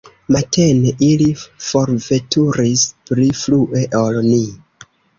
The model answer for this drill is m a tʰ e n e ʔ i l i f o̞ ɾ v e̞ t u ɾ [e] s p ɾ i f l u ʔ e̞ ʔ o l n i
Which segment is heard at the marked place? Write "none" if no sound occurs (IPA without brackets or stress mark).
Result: i